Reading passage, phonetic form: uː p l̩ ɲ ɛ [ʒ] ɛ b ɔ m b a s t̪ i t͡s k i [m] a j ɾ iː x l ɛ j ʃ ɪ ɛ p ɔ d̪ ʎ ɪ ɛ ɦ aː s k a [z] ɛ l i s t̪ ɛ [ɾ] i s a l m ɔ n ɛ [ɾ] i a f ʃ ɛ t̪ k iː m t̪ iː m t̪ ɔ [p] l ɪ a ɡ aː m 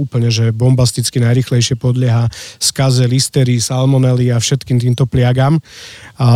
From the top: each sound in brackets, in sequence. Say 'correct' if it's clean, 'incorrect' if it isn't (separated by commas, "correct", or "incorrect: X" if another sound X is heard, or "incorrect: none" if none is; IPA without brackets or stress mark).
correct, incorrect: n, correct, correct, incorrect: l, correct